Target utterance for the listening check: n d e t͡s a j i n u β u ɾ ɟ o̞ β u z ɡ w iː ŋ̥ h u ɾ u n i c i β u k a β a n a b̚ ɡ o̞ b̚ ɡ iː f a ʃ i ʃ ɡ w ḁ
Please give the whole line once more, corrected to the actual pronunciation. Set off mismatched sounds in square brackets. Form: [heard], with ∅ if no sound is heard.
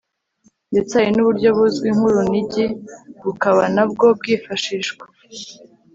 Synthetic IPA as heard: n d e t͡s a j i n u β u ɾ ɟ o̞ β u z ɡ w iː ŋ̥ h u ɾ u n i [ɟ] i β u k a β a n a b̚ ɡ o̞ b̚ ɡ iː f a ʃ i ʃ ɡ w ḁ